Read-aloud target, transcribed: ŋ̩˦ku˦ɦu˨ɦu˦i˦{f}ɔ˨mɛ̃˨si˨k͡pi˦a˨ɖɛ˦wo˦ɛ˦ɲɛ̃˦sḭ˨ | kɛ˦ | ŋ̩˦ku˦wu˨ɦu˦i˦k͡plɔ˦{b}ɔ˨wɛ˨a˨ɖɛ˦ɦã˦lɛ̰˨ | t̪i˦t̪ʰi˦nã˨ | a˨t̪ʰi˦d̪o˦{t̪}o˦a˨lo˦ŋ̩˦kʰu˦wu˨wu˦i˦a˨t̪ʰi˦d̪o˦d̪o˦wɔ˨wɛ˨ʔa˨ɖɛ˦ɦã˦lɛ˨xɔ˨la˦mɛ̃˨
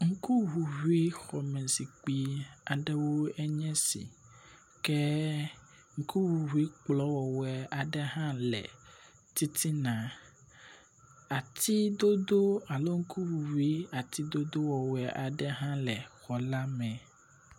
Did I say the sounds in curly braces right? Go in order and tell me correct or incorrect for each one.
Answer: incorrect: x, incorrect: w, incorrect: d̪

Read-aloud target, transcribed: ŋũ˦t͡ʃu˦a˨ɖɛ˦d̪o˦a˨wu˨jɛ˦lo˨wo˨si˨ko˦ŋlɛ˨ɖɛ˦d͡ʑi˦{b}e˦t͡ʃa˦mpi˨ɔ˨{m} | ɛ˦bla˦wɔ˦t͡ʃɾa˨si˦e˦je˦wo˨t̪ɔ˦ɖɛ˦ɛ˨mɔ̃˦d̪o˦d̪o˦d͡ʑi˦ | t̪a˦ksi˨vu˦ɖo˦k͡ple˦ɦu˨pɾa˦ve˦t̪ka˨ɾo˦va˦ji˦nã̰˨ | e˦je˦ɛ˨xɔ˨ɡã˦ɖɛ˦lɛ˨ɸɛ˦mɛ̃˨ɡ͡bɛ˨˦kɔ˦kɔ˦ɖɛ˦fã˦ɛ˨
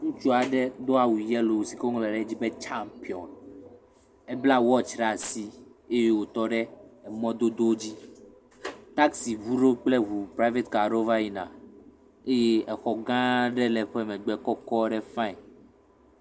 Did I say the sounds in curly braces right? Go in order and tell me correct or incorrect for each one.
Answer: correct, incorrect: n

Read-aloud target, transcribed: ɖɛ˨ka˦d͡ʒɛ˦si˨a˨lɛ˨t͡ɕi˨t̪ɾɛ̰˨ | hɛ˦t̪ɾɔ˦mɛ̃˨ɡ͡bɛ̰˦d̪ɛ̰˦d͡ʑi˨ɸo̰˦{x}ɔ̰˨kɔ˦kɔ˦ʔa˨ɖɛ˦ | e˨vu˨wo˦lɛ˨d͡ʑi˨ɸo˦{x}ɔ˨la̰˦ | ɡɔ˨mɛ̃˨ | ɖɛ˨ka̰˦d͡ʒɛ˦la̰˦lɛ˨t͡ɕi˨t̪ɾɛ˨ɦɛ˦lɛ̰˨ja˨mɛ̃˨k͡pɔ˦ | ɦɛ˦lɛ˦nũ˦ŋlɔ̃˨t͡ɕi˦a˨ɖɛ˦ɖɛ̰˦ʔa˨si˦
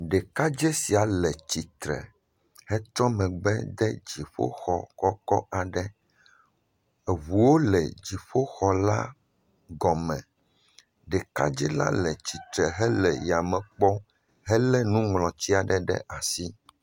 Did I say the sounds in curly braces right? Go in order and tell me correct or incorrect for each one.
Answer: correct, correct

